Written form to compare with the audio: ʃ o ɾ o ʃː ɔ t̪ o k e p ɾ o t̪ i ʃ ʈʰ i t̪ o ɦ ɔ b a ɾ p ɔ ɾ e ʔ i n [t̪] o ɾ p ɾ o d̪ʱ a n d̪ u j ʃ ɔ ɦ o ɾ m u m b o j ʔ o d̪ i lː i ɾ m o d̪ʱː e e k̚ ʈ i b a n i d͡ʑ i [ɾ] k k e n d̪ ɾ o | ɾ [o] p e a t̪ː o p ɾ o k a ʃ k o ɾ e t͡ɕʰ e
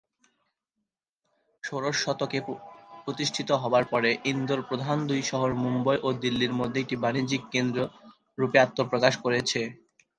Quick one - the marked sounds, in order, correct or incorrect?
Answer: incorrect: d̪, incorrect: none, incorrect: u

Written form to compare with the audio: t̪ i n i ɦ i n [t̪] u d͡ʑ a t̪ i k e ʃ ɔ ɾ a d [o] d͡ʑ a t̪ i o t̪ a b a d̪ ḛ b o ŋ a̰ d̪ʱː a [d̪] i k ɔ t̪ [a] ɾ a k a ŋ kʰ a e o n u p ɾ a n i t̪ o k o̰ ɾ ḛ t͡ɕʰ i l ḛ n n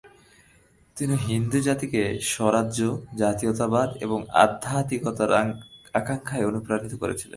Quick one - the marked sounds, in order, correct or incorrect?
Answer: incorrect: d̪, correct, incorrect: t̪, correct

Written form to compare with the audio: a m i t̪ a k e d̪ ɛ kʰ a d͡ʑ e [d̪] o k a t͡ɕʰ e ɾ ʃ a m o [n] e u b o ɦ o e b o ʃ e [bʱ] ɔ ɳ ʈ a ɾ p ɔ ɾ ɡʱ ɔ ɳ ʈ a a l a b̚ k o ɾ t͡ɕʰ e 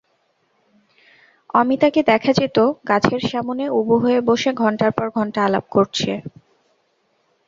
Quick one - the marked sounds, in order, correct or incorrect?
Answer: incorrect: t̪, correct, incorrect: ɡʱ

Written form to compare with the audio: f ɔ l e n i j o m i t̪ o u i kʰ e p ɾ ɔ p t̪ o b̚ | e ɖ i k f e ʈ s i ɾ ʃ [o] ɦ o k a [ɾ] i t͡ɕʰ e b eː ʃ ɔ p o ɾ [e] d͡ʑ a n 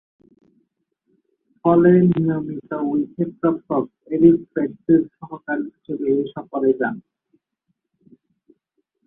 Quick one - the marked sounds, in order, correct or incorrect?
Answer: incorrect: ɔ, correct, correct

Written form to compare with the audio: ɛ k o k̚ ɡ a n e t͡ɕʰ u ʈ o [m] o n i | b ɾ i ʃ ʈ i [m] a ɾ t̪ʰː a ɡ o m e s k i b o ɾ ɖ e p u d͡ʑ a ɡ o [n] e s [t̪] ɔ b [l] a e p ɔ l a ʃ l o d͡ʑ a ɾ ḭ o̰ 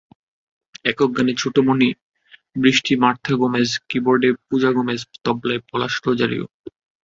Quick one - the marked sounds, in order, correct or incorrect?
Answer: correct, correct, incorrect: m, correct, correct

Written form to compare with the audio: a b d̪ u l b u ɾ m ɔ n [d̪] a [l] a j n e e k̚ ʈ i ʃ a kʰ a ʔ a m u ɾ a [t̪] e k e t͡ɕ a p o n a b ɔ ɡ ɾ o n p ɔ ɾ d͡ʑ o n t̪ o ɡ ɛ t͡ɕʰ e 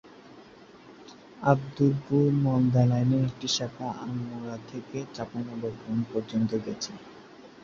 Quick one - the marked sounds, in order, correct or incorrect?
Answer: correct, correct, incorrect: t̪ʰ

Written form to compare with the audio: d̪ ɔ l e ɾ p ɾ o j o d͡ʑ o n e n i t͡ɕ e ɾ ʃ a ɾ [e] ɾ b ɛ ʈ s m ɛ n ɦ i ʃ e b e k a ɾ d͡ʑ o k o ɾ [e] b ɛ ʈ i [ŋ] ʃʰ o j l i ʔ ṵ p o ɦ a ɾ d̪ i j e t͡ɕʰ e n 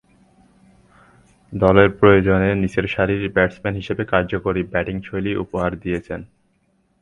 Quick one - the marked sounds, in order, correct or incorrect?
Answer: incorrect: i, incorrect: i, correct

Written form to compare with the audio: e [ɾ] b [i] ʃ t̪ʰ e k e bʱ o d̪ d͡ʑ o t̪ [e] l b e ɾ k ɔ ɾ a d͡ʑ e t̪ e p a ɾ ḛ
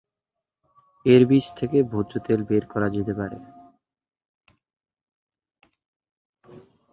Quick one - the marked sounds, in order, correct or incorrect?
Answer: correct, correct, correct

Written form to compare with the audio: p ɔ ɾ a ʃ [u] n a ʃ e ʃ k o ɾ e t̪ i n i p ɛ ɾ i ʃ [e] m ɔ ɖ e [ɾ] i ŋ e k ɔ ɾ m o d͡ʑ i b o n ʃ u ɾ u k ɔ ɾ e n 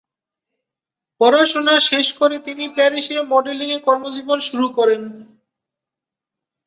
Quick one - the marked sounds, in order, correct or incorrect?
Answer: incorrect: o, correct, incorrect: l

